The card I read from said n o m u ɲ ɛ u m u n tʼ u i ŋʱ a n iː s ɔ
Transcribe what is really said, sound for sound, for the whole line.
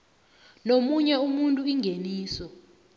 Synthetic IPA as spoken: n o m u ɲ ɛ u m u n tʼ u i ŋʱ e n iː s ɔ